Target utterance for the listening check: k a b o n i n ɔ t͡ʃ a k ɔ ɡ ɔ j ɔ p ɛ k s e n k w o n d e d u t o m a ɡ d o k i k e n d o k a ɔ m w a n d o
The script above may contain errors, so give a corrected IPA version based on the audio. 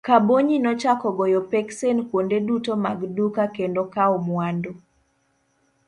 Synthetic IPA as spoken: k a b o ɲ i n ɔ t͡ʃ a k ɔ ɡ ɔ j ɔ p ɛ k s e n k w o n d e d u t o m a ɡ d u k a k e n d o k a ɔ m w a n d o